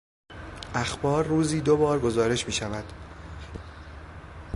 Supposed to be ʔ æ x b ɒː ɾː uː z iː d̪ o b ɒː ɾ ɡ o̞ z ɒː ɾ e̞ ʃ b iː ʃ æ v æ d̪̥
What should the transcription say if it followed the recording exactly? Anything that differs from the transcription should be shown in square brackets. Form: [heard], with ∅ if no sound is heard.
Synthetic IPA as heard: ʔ æ x b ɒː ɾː uː z iː d̪ o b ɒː ɾ ɡ o̞ z ɒː ɾ e̞ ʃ [m] iː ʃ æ v æ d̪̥